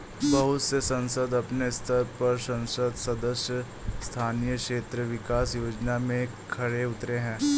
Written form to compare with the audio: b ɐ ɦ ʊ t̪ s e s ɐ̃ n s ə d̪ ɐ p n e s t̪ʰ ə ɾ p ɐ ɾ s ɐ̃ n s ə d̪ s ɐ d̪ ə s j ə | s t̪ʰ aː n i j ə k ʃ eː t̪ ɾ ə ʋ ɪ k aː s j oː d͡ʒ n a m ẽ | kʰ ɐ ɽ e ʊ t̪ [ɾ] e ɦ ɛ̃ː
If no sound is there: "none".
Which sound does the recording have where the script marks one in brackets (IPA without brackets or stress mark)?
ɾ